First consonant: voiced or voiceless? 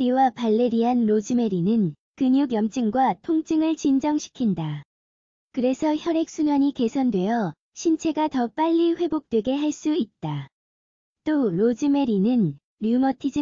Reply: voiced